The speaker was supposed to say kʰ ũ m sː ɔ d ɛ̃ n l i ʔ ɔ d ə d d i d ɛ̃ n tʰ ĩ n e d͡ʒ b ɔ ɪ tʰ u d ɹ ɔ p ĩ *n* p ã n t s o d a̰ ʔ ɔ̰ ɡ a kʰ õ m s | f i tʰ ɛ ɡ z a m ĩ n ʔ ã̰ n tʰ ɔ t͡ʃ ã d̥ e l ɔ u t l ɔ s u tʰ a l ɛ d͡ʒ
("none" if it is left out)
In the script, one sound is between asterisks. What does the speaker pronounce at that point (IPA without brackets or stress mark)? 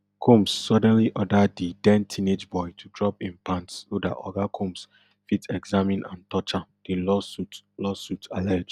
n